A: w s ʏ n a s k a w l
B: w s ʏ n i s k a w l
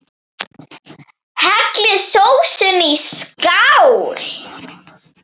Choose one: B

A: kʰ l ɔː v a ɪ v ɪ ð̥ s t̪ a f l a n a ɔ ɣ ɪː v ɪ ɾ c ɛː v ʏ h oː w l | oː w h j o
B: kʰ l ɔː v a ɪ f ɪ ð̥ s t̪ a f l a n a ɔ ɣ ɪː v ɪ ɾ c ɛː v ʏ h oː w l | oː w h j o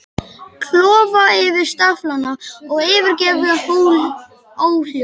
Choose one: A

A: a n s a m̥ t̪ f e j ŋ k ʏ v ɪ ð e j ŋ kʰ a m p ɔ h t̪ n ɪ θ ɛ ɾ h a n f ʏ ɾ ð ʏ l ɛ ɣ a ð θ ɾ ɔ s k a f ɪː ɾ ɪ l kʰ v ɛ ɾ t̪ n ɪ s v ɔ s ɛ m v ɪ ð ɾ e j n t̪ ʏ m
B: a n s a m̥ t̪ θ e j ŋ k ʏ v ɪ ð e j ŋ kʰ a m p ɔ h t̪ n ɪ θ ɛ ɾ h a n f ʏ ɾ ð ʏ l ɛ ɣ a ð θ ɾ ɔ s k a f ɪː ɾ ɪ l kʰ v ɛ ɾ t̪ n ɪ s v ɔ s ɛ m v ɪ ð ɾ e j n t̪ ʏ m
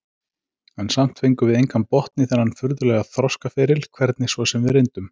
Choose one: A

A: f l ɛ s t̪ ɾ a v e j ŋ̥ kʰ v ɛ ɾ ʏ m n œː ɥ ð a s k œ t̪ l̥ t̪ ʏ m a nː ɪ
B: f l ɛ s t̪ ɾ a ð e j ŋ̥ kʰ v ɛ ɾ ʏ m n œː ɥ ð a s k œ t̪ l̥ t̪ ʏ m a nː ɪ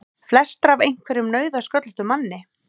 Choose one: A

